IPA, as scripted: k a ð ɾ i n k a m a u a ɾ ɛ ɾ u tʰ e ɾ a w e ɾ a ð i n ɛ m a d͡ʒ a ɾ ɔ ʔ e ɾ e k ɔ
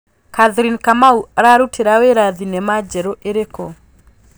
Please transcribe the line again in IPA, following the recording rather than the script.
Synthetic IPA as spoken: k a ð ɾ i n k a m a u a ɾ a ɾ u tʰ e ɾ a w e ɾ a ð i n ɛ m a d͡ʒ ɛ ɾ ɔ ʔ e ɾ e k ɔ